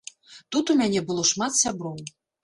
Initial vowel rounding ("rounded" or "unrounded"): rounded